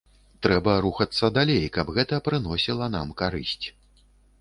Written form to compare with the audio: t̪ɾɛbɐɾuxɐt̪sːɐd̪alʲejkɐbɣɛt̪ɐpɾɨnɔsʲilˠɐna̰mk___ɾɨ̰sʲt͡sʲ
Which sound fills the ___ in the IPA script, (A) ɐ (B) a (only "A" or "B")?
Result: B